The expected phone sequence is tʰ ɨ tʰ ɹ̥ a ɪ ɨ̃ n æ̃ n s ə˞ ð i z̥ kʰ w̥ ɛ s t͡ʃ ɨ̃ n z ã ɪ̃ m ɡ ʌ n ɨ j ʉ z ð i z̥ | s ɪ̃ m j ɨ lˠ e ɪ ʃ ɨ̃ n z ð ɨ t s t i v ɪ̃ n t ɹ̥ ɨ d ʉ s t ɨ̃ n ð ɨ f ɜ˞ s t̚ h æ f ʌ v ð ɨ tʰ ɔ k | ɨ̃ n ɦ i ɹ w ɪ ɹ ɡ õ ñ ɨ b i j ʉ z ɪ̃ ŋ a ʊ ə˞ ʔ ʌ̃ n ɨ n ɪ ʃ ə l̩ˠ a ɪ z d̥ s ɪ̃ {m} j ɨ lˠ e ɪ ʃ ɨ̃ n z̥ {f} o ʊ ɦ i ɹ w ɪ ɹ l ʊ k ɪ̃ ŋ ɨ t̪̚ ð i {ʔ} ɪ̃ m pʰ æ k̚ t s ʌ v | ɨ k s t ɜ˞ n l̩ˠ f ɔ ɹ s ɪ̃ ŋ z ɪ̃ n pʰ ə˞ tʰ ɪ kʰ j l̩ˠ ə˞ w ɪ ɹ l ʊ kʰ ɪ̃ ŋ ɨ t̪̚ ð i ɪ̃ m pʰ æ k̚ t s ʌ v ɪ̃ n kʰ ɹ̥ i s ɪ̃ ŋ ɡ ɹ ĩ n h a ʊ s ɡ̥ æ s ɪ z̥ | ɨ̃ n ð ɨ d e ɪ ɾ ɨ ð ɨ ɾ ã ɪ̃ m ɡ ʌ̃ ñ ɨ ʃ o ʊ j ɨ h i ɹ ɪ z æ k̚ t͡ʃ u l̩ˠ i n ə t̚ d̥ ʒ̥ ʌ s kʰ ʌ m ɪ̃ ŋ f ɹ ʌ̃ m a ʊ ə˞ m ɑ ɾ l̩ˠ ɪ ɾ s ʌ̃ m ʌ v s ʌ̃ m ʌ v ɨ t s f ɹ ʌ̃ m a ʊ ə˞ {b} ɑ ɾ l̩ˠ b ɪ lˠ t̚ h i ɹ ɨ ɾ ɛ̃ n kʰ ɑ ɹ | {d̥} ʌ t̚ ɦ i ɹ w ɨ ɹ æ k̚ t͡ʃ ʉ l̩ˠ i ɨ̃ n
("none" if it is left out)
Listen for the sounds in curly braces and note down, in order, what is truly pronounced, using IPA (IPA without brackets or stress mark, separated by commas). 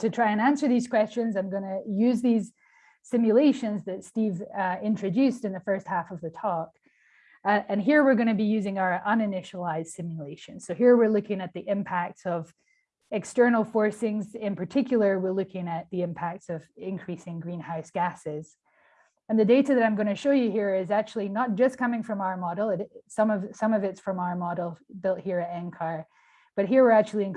m, s, ʔ, m, b̥